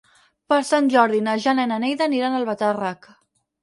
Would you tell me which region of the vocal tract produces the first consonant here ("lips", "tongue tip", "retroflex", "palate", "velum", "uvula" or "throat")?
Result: lips